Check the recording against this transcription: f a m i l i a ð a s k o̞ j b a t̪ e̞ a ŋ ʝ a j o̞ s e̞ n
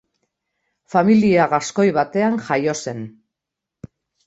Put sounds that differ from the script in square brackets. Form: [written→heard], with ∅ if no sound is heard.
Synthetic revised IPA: f a m i l i a [ð→ɣ] a s k o̞ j [b→β] a t̪ e̞ a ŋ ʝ a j o̞ s e̞ n